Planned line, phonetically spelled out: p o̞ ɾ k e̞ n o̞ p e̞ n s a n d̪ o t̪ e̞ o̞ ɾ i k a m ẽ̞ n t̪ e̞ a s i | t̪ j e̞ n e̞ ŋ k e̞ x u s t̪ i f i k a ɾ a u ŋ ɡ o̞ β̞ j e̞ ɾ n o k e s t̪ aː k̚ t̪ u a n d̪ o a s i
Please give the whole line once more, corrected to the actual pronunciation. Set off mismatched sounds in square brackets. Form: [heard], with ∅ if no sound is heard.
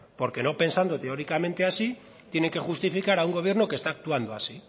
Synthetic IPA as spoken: p o̞ ɾ k e̞ n o̞ p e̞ n s a n d̪ o t̪ e̞ o̞ ɾ i k a m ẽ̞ n t̪ e̞ a s i | t̪ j e̞ n e̞ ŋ k e̞ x u s t̪ i f i k a ɾ a u ŋ ɡ o̞ β̞ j e̞ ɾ n o k e s t̪ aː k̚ t̪ u a n d̪ o a s i